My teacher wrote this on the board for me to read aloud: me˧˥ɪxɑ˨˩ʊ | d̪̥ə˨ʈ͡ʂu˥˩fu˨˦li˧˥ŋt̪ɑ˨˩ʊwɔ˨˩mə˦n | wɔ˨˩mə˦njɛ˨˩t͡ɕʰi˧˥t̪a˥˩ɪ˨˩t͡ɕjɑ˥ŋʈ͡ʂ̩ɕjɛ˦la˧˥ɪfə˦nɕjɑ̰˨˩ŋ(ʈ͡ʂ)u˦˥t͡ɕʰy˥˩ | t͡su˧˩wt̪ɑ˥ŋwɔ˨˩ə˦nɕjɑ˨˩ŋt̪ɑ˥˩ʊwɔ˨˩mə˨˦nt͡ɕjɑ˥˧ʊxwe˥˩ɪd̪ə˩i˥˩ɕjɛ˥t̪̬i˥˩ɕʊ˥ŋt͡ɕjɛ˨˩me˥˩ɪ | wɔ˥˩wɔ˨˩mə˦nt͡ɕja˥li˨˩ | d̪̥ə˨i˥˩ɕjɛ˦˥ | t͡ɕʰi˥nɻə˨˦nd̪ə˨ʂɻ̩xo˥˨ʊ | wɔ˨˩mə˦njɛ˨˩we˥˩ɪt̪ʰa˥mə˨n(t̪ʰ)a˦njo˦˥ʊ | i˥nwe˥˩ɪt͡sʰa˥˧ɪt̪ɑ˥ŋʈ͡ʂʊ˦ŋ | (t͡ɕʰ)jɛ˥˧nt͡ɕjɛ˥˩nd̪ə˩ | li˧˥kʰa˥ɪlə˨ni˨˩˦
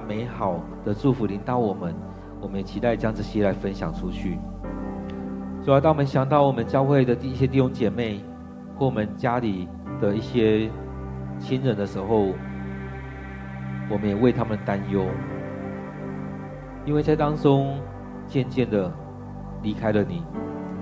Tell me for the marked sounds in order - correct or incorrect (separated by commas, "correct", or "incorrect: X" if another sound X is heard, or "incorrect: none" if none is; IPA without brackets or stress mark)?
incorrect: ʈ͡ʂʰ, incorrect: t̪, incorrect: t͡ɕ